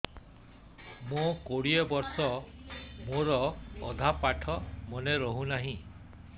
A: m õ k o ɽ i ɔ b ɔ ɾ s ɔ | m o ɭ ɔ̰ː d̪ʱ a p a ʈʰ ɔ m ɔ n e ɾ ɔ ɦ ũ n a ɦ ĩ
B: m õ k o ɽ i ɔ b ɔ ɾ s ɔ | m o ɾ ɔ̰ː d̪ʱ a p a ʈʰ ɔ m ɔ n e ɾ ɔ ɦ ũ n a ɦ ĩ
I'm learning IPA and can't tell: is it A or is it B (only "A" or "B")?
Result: B